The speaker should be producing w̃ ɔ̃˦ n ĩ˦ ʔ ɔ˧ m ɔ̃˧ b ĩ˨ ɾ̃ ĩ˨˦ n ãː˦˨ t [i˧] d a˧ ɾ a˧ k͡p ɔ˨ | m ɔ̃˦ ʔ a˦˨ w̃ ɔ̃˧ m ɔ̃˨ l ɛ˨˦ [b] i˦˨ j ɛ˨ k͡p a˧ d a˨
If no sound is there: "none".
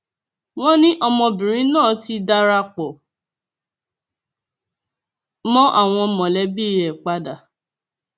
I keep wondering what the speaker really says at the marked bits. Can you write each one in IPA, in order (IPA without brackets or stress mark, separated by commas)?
i˧, b